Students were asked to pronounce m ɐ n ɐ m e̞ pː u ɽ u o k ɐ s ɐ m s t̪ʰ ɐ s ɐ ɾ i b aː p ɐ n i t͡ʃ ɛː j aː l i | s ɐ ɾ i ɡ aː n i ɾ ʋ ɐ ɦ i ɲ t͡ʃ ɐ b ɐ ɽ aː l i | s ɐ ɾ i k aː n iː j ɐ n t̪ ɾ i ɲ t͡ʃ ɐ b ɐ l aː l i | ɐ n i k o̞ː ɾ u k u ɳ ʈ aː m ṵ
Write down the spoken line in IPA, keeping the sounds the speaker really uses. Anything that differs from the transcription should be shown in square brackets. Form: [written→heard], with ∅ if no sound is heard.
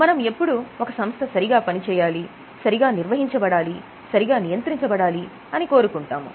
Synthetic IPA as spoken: m ɐ n ɐ m e̞ pː u ɽ u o k ɐ s ɐ m s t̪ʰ ɐ s ɐ ɾ i [b→ɡ] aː p ɐ n i t͡ʃ ɛː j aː l i | s ɐ ɾ i ɡ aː n i ɾ ʋ ɐ ɦ i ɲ t͡ʃ ɐ b ɐ ɽ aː l i | s ɐ ɾ i [k→ɡ] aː n [iː→i] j ɐ n t̪ ɾ i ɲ t͡ʃ ɐ b ɐ [l→ɽ] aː l i | ɐ n i k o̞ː ɾ u k u ɳ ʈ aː m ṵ